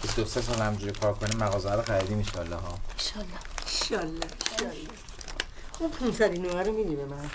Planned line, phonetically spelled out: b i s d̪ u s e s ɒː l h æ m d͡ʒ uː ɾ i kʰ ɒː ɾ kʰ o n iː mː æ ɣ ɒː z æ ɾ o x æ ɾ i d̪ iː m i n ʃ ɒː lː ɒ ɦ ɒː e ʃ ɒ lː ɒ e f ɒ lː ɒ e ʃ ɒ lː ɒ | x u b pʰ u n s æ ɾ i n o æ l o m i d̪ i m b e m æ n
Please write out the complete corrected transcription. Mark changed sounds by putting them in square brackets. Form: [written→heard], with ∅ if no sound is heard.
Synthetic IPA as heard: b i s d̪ [u→o] s e s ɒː l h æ m d͡ʒ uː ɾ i kʰ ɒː ɾ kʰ o n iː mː æ ɣ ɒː z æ ɾ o x æ ɾ i d̪ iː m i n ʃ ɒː lː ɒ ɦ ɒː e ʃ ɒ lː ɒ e [f→ʃ] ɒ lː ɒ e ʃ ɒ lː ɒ | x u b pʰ u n s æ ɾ i n o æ [l→ɾ] o m i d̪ i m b e m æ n